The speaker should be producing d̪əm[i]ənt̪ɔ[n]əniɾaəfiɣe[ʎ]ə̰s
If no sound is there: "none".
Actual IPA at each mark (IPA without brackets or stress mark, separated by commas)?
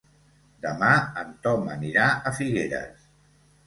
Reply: a, m, ɾ